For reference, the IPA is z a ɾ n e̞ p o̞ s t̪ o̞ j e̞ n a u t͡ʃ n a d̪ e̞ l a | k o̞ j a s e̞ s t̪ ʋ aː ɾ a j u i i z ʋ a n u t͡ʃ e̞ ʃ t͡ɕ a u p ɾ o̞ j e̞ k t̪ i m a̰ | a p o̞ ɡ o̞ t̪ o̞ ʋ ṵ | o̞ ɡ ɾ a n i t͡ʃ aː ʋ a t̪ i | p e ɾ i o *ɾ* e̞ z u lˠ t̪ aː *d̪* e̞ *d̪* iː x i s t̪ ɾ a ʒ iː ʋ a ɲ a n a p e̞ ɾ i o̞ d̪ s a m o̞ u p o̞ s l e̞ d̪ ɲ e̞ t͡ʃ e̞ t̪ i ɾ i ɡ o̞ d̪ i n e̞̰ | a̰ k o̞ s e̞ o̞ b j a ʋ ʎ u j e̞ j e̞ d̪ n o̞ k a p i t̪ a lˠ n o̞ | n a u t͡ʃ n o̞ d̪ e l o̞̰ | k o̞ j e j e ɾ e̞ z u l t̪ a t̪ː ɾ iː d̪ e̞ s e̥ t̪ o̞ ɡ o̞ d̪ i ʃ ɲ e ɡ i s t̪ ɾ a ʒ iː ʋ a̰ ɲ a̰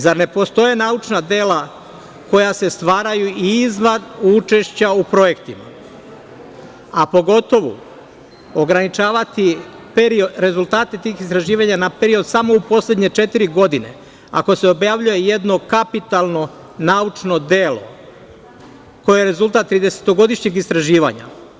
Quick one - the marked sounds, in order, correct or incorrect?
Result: correct, incorrect: t̪, incorrect: t̪

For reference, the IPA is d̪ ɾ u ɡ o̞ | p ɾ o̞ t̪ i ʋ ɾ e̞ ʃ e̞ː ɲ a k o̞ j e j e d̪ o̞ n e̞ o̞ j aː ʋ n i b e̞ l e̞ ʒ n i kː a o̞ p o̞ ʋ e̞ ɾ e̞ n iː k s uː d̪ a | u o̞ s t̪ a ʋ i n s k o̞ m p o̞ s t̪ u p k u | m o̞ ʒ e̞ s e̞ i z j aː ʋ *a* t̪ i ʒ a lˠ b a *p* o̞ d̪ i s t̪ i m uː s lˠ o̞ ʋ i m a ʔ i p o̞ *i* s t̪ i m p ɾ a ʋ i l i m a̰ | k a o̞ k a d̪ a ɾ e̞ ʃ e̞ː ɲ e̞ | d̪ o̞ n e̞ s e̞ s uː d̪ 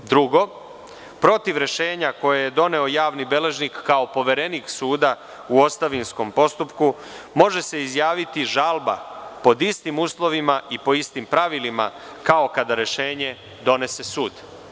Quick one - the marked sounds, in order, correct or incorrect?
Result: incorrect: i, correct, correct

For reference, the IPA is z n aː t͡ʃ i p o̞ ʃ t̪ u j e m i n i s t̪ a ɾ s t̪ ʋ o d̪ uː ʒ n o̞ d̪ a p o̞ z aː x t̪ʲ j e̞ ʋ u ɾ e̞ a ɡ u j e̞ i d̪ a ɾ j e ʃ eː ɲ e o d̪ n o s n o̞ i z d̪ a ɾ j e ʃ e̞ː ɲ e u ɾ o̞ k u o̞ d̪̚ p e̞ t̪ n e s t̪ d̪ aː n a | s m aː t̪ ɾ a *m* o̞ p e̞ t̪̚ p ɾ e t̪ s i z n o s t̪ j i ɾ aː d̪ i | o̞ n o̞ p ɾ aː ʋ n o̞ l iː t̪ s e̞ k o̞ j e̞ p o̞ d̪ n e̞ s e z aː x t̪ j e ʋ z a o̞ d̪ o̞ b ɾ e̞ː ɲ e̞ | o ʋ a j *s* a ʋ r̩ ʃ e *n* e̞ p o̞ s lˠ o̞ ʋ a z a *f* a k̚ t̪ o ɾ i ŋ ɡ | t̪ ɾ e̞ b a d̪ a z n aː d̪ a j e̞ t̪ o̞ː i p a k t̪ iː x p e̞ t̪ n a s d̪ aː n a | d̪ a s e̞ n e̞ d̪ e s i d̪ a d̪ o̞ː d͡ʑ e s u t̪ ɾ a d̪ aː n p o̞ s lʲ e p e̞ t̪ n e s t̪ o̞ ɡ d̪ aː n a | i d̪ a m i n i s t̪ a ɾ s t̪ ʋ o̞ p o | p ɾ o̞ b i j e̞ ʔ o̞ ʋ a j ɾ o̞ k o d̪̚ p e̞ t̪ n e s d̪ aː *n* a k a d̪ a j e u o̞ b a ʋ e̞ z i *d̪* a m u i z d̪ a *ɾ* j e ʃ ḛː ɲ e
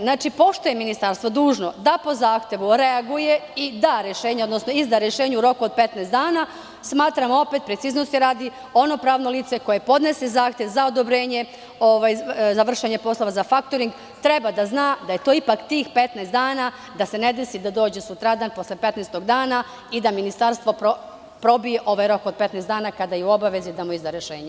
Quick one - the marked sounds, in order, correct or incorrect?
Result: correct, incorrect: z, incorrect: ɲ, correct, correct, correct, correct

